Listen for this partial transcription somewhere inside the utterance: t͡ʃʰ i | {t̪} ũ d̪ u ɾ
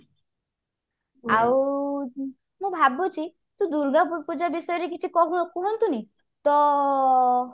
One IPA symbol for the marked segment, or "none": t̪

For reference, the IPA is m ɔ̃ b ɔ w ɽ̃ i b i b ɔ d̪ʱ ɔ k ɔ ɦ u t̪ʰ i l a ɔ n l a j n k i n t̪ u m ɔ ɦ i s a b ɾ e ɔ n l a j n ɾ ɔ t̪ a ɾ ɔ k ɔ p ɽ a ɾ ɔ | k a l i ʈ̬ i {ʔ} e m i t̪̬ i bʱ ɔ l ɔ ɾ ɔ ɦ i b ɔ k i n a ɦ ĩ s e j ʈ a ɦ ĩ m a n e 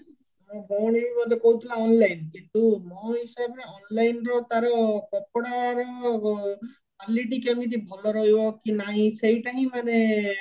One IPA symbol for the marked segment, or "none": k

